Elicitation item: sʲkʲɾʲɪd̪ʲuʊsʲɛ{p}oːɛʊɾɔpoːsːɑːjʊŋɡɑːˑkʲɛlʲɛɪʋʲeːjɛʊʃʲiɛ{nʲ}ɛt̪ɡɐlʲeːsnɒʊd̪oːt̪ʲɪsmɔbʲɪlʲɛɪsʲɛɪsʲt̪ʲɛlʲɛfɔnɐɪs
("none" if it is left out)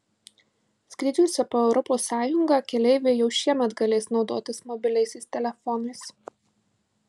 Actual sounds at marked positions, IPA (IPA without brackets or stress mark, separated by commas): p, mʲ